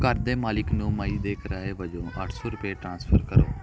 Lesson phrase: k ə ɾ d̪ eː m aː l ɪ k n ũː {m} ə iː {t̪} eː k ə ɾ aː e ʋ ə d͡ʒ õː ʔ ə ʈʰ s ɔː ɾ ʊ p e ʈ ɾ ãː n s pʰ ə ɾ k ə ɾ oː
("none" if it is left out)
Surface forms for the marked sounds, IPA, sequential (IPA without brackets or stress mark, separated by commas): m, d̪